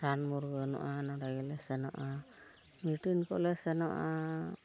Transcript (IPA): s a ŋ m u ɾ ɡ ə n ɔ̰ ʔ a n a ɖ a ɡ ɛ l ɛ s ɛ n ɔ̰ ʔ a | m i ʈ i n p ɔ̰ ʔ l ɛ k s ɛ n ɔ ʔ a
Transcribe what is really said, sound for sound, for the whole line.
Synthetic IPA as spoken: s a n m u ɾ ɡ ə n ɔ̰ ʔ a n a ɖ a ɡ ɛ l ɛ s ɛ n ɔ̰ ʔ a | m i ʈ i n k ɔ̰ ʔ l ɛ s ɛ n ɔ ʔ a